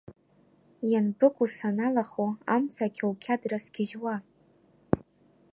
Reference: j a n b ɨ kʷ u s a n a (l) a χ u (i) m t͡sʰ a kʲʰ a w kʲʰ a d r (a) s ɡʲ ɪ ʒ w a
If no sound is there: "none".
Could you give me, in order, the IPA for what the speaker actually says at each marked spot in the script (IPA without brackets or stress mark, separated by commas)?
l, a, a